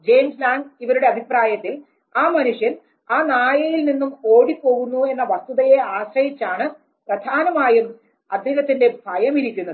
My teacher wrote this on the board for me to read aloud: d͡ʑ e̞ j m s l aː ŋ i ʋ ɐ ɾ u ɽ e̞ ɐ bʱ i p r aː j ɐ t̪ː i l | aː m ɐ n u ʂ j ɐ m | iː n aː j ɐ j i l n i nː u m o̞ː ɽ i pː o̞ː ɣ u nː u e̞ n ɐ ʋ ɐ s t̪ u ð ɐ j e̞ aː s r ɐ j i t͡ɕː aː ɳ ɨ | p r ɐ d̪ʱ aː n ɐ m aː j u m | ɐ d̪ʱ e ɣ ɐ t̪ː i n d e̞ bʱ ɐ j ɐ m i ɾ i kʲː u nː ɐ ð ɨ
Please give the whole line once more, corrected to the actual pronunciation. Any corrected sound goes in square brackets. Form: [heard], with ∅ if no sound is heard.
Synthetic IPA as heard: d͡ʑ e̞ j m s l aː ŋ i ʋ ɐ ɾ u ɽ e̞ ɐ bʱ i p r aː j ɐ t̪ː i l | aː m ɐ n u ʂ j ɐ [n] | [aː] n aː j ɐ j i l n i nː u m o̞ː ɽ i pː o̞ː ɣ u nː u e̞ [nː] ɐ ʋ ɐ s t̪ u ð ɐ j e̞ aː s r ɐ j i t͡ɕː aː ɳ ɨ | p r ɐ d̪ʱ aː n ɐ m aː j u m | ɐ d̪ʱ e ɣ ɐ t̪ː i n d e̞ bʱ ɐ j ɐ m i ɾ i kʲː u nː ɐ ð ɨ

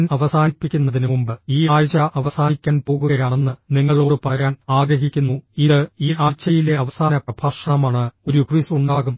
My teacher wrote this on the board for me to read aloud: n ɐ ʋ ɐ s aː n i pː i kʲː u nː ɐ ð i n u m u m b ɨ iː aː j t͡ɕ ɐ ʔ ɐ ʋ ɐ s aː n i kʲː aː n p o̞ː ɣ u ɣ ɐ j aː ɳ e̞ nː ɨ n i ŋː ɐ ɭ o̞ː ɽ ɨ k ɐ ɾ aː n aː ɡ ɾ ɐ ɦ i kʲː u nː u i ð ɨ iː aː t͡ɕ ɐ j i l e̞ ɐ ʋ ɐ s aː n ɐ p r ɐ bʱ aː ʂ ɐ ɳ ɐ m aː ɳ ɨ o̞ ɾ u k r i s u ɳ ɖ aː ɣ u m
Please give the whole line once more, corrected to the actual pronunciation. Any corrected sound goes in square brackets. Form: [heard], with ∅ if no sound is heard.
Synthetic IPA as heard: n ɐ ʋ ɐ s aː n i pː i kʲː u nː ɐ ð i n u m u m b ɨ iː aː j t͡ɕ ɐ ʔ ɐ ʋ ɐ s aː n i kʲː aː n p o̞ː ɣ u ɣ ɐ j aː ɳ e̞ nː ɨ n i ŋː ɐ ɭ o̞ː ɽ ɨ [p] ɐ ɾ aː n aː ɡ ɾ ɐ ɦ i kʲː u nː u i ð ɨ iː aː t͡ɕ ɐ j i l e̞ ɐ ʋ ɐ s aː n ɐ p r ɐ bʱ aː ʂ ɐ ɳ ɐ m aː ɳ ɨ o̞ ɾ u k r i s u ɳ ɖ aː ɣ u m

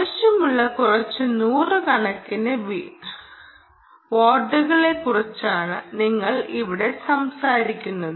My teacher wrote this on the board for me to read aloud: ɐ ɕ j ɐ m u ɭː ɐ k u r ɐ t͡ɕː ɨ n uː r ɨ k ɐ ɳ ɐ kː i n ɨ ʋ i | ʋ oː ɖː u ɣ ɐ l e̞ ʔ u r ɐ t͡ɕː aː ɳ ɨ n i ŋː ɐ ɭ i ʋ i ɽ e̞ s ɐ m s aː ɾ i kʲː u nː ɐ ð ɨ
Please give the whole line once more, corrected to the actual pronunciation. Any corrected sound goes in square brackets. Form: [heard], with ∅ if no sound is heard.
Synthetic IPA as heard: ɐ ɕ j ɐ m u ɭː ɐ k u r ɐ t͡ɕː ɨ n uː r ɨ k ɐ ɳ ɐ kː i n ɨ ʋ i | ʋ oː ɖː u ɣ ɐ [ɭ] e̞ [k] u r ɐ t͡ɕː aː ɳ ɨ n i ŋː ɐ ɭ i ʋ i ɽ e̞ s ɐ m s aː ɾ i kʲː u nː ɐ ð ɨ

